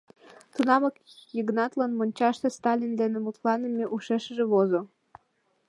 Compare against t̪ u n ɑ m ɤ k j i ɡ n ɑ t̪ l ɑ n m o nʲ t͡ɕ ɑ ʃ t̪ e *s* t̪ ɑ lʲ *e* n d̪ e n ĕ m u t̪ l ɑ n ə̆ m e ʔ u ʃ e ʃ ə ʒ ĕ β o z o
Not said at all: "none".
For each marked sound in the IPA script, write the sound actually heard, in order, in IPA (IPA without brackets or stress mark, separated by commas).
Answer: s, i